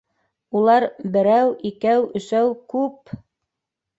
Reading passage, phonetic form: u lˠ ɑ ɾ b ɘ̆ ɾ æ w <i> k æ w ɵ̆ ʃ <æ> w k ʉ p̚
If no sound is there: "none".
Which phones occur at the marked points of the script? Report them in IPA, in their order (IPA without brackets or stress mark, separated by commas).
i, æ